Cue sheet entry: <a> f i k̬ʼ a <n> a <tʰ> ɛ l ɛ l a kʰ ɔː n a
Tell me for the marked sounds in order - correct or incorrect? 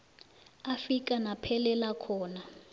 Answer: correct, correct, incorrect

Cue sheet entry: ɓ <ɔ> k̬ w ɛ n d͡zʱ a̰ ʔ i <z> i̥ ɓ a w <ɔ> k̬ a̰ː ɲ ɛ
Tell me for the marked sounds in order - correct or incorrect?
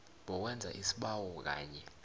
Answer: correct, incorrect, correct

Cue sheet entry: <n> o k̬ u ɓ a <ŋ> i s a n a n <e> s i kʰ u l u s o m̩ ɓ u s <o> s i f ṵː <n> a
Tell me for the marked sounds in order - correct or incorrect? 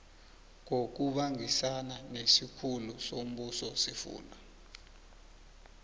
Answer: incorrect, correct, correct, incorrect, correct

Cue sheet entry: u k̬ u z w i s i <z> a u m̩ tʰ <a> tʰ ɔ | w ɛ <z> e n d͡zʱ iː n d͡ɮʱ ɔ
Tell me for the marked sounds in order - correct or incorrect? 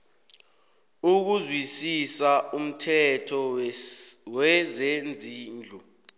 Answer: incorrect, incorrect, correct

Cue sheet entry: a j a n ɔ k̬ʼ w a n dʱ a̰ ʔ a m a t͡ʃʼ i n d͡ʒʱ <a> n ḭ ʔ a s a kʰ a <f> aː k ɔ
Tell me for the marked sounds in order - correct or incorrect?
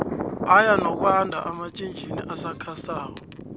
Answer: incorrect, incorrect

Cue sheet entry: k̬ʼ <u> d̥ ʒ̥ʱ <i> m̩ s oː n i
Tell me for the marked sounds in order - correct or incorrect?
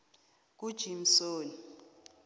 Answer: correct, correct

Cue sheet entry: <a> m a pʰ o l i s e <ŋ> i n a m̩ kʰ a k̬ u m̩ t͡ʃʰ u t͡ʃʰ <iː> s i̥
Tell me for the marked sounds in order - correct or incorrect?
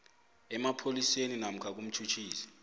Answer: incorrect, incorrect, correct

